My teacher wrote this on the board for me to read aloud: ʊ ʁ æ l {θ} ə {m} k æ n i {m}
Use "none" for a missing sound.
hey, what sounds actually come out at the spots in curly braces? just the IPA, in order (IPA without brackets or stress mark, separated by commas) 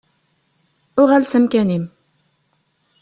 s, m, m